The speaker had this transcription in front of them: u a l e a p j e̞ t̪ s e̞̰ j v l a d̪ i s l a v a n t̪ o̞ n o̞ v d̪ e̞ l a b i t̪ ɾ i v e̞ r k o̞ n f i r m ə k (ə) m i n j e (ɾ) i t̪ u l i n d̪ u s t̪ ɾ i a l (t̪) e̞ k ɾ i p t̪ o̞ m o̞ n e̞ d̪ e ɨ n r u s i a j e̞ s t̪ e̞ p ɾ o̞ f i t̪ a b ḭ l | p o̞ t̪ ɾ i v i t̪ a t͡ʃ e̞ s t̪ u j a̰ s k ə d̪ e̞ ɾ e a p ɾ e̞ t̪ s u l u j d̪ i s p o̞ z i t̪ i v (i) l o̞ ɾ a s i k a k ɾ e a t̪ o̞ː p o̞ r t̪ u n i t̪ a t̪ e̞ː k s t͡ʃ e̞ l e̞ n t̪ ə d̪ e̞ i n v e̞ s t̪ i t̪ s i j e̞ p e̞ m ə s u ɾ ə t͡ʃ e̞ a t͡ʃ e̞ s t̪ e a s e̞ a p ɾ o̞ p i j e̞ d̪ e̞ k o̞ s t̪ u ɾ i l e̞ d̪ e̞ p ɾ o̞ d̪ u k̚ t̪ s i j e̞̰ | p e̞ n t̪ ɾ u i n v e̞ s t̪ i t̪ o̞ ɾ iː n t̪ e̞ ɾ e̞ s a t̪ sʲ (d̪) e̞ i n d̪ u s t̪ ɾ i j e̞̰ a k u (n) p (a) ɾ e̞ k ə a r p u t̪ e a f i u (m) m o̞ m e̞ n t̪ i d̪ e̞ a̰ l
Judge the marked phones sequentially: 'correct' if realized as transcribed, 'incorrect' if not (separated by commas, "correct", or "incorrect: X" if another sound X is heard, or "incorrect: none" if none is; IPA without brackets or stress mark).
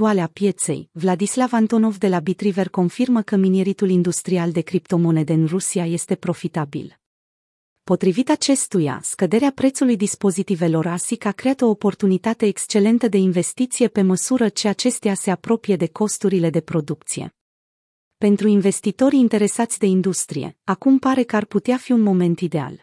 correct, correct, incorrect: d̪, incorrect: e, correct, incorrect: m, correct, incorrect: n